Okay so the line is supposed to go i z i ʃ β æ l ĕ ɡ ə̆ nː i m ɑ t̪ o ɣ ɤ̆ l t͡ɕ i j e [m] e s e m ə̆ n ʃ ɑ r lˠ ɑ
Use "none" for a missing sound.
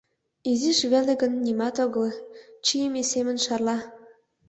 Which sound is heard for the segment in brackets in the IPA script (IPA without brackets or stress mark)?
m